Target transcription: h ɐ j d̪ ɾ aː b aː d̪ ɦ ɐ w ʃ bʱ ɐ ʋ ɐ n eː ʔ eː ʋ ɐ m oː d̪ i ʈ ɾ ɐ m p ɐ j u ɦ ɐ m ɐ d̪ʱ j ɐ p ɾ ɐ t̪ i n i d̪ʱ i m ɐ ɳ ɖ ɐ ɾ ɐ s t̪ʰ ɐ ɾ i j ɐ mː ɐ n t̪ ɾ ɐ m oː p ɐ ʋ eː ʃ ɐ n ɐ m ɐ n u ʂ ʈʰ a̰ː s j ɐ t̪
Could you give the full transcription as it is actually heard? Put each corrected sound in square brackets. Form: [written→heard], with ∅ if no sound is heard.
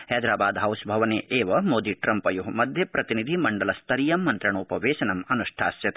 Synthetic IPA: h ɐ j d̪ ɾ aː b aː d̪ ɦ ɐ w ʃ bʱ ɐ ʋ ɐ n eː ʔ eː ʋ ɐ m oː d̪ i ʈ ɾ ɐ m p ɐ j u ɦ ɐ m ɐ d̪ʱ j ɐ p ɾ ɐ t̪ i n i d̪ʱ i m ɐ ɳ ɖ ɐ [ɾ→l] ɐ s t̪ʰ ɐ ɾ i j ɐ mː ɐ n t̪ ɾ ɐ [m→ɳ] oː p ɐ ʋ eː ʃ ɐ n ɐ m ɐ n u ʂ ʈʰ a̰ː s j ɐ t̪